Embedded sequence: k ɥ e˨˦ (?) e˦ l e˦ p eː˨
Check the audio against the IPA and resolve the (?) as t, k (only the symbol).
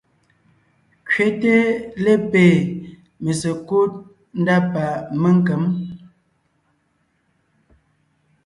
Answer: t